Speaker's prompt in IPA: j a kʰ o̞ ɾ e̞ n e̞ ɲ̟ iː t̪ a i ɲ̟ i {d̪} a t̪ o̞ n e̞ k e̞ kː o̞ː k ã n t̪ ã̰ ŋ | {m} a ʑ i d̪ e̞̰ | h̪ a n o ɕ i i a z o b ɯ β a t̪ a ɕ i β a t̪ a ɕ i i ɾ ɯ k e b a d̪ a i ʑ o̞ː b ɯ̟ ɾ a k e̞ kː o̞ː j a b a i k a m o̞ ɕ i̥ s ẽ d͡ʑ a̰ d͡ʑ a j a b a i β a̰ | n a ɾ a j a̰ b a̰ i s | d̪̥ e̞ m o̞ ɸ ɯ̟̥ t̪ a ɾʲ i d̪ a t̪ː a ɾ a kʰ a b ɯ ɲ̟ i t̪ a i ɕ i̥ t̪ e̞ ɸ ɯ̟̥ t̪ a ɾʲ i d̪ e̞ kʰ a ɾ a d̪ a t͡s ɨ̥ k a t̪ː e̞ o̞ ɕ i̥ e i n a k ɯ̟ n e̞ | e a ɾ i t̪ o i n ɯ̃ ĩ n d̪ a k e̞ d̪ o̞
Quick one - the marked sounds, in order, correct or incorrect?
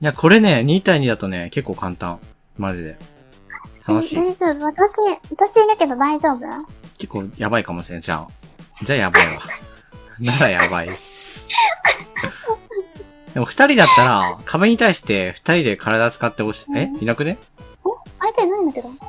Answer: correct, correct

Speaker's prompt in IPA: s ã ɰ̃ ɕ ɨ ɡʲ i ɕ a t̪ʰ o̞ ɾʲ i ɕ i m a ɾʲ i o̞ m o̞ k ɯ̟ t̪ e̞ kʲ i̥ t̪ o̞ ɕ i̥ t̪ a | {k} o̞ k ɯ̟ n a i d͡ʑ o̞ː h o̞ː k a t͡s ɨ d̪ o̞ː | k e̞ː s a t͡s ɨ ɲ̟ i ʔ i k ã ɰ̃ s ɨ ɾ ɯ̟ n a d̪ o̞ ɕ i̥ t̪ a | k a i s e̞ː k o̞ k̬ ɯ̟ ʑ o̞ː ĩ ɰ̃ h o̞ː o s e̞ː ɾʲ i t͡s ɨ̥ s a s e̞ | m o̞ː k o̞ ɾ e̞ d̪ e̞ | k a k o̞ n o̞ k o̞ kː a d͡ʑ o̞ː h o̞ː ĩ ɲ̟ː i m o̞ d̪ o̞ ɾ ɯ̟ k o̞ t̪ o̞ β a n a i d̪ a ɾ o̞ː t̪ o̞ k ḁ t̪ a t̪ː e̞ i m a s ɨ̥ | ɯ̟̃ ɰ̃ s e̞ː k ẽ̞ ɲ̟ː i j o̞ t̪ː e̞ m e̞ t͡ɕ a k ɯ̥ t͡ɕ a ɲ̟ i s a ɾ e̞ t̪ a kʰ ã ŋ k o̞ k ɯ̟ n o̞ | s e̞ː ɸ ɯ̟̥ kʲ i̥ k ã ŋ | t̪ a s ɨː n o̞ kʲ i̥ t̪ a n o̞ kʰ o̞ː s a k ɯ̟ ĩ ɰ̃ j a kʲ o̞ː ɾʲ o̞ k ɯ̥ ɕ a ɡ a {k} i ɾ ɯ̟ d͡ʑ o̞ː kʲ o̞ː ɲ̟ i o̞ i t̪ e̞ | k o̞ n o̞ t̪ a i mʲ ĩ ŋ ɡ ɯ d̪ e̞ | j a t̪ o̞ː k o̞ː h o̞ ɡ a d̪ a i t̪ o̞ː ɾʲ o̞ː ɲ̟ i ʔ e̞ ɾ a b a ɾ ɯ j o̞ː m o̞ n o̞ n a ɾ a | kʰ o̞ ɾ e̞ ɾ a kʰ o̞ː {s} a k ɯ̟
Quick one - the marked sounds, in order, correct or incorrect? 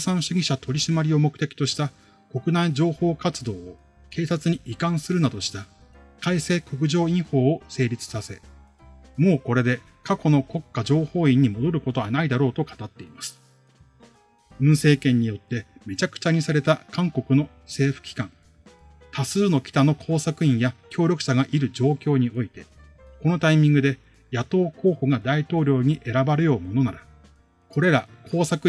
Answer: correct, incorrect: ʔ, correct

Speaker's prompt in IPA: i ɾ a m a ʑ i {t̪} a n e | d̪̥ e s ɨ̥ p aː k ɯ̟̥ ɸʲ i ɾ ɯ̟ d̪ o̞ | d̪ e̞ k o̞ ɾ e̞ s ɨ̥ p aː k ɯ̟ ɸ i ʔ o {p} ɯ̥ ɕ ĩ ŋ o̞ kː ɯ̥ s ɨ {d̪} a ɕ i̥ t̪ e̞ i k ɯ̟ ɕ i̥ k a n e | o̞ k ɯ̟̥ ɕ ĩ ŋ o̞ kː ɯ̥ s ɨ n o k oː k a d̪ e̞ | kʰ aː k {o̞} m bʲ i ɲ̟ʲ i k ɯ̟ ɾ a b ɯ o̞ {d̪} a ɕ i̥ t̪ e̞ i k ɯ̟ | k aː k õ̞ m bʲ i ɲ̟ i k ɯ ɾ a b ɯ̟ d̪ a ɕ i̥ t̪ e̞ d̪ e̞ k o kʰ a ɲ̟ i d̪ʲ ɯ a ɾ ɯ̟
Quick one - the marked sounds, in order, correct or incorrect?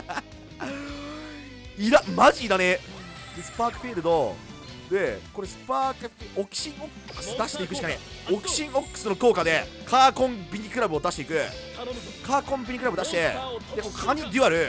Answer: incorrect: d̪, incorrect: k, correct, incorrect: õ̞, correct

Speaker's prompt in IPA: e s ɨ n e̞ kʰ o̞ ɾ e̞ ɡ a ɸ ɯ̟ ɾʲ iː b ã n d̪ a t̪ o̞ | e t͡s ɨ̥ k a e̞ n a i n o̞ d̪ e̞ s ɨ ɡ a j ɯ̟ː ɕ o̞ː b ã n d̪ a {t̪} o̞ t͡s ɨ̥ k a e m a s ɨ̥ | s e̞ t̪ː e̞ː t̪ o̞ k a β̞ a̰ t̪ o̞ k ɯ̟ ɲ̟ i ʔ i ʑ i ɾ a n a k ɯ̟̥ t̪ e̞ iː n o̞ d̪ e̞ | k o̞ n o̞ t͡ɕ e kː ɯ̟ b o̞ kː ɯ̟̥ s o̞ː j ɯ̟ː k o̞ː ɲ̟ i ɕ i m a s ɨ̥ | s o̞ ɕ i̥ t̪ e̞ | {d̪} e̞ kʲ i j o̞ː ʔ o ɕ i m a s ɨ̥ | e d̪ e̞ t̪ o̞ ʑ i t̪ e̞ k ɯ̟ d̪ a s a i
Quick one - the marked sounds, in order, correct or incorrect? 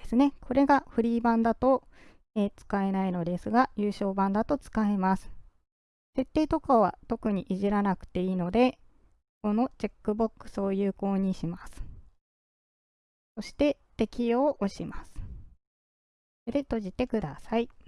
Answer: correct, incorrect: t̪

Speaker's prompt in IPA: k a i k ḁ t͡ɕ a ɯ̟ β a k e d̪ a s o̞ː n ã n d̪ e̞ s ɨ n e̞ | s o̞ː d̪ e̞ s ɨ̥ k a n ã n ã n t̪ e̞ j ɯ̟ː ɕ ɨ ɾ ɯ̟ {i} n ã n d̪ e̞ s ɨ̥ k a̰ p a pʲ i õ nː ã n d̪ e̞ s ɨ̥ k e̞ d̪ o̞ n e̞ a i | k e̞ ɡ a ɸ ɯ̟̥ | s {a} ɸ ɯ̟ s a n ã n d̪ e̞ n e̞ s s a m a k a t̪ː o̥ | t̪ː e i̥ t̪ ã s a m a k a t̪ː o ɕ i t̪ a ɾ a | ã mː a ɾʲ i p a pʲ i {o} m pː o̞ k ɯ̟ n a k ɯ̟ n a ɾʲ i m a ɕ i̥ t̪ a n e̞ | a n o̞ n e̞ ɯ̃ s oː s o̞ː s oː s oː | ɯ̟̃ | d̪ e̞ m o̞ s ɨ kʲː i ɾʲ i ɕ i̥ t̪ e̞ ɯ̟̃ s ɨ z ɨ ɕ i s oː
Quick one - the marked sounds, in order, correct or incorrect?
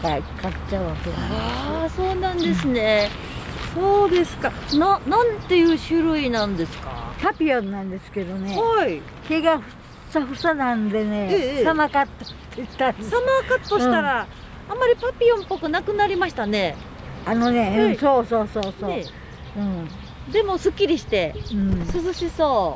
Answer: correct, correct, incorrect: õ

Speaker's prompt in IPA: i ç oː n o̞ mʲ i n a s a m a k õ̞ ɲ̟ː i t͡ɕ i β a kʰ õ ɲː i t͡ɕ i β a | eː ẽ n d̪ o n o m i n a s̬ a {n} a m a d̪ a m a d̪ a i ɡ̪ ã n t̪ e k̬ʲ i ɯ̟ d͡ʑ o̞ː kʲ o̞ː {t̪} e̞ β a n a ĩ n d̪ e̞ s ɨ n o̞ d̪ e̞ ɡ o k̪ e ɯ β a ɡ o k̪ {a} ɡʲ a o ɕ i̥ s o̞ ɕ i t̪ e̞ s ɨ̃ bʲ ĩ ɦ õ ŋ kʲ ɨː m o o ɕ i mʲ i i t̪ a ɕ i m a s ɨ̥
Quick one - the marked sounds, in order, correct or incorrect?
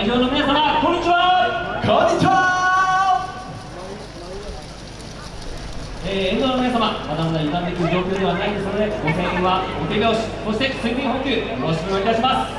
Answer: incorrect: m, incorrect: d̪, incorrect: e

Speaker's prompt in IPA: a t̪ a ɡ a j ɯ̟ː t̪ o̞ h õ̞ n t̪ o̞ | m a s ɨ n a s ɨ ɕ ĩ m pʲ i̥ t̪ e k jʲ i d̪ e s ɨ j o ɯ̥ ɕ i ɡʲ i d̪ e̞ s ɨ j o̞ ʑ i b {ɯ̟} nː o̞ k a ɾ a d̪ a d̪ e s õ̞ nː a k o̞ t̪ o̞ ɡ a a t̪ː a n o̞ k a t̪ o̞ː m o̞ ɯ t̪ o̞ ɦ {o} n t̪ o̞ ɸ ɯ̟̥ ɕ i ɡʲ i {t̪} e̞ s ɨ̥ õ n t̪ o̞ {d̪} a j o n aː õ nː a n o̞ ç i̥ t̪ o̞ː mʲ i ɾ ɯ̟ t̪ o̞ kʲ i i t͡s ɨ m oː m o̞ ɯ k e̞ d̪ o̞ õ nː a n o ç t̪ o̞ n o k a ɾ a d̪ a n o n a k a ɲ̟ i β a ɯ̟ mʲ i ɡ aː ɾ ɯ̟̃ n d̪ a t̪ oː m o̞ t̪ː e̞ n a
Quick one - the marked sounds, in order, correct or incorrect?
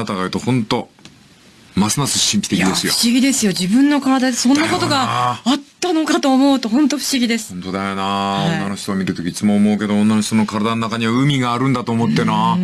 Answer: incorrect: ɯ̟̃, incorrect: õ, incorrect: d̪, correct

